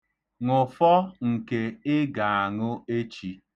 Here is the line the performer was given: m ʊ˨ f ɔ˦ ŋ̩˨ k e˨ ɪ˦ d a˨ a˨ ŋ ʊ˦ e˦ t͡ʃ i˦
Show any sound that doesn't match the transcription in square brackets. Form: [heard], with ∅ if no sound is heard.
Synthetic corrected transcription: [ŋ] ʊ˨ f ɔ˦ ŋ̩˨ k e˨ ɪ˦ [ɡ] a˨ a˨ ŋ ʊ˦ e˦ t͡ʃ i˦